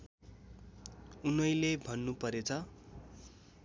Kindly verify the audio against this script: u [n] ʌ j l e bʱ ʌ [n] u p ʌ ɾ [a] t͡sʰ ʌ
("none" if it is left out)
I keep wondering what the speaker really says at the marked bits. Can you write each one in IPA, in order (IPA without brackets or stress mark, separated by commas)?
n, nː, e